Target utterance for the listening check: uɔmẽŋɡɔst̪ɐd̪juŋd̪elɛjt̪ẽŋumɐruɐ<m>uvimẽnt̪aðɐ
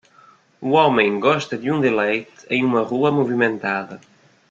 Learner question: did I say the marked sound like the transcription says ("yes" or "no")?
yes